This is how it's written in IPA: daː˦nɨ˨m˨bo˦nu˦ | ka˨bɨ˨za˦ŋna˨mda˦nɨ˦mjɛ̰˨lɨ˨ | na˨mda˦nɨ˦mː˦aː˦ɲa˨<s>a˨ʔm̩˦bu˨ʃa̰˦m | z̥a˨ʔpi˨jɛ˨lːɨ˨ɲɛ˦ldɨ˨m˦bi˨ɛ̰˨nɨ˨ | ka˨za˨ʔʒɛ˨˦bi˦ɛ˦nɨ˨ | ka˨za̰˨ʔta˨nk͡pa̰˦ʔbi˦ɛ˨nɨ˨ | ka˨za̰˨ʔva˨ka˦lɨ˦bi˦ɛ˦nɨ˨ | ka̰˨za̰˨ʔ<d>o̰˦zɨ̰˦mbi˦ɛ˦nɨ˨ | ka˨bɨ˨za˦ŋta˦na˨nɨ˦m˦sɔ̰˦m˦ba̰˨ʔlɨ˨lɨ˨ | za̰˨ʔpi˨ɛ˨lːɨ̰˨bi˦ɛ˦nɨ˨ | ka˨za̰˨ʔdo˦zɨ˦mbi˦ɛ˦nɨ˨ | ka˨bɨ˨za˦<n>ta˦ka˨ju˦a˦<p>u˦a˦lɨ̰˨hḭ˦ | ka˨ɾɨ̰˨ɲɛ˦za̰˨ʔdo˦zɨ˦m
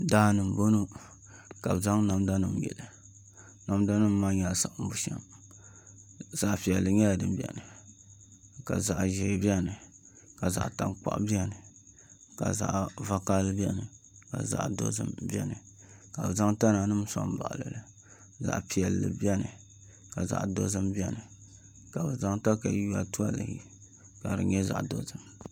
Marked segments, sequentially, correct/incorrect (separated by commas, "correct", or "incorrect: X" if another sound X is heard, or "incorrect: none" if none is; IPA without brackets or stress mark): correct, correct, incorrect: ŋ, incorrect: t